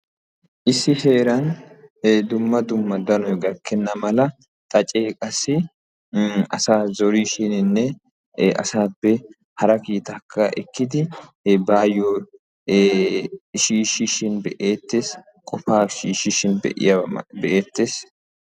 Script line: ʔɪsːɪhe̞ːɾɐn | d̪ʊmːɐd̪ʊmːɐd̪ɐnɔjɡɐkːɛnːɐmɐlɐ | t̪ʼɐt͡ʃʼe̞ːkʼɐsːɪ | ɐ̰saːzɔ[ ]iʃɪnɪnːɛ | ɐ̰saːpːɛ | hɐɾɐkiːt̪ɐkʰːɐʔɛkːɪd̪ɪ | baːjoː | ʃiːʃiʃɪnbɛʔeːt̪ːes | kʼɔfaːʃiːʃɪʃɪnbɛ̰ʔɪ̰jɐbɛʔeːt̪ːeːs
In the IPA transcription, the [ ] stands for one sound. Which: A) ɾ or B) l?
A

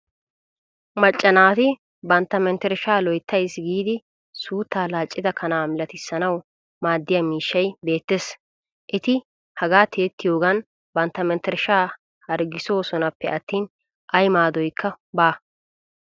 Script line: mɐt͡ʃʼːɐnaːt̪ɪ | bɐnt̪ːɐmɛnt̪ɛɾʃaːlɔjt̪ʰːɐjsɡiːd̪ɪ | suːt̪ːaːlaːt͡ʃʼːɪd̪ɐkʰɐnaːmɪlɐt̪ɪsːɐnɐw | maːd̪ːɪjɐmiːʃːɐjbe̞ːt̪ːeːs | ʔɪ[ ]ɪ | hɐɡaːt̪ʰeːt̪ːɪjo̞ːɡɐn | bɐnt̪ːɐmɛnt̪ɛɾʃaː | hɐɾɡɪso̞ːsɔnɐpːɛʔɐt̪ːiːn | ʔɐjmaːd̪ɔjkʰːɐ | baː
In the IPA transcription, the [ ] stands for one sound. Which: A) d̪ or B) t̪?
B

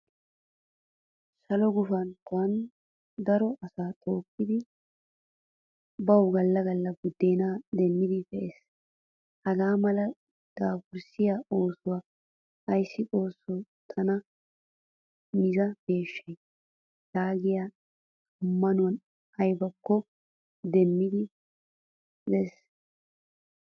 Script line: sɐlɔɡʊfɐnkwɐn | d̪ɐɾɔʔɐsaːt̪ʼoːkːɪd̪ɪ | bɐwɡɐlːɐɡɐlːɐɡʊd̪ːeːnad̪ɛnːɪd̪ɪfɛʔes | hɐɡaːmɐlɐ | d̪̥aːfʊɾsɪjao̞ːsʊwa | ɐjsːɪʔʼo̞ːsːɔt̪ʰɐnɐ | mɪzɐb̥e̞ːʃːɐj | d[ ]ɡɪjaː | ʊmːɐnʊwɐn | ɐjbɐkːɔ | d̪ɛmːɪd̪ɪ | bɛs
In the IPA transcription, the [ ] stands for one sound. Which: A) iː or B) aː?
B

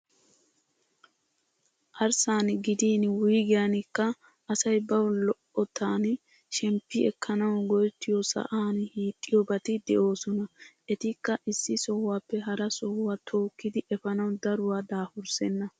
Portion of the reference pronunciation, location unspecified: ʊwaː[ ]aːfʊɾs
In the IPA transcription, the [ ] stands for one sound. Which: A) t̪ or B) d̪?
B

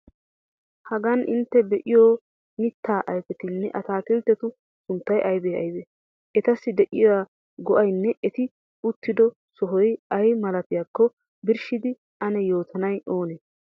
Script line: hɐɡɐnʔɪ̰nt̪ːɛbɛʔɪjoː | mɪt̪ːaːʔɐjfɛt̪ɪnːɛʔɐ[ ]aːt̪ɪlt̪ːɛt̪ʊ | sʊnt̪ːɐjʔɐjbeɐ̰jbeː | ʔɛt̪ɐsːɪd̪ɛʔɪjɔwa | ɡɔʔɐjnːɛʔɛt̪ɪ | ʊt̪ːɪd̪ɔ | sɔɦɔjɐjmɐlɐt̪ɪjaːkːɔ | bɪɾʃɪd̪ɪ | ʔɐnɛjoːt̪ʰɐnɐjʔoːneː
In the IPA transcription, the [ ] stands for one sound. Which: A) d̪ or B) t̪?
B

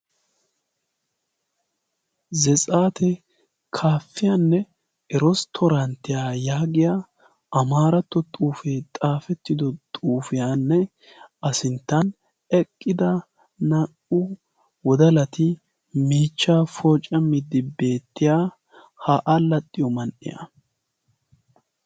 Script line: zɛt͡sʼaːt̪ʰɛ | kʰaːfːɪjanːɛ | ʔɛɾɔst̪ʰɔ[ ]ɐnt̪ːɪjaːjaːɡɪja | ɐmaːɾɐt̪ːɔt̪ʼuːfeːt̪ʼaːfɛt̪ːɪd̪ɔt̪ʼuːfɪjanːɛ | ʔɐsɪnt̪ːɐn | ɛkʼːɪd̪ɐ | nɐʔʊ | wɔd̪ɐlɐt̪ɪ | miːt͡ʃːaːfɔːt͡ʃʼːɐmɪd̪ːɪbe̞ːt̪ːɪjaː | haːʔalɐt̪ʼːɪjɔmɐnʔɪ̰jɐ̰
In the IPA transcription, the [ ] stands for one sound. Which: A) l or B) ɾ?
B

